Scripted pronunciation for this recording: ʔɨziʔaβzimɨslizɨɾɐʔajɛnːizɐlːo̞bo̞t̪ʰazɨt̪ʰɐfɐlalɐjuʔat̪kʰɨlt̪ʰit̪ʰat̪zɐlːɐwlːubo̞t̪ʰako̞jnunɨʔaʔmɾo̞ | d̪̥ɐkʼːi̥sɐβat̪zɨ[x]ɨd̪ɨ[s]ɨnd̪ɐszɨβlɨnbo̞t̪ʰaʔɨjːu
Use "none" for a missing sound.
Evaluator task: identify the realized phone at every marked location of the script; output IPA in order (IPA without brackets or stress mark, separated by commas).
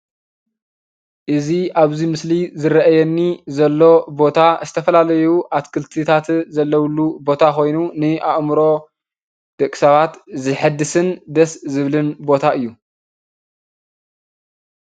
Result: ħ, s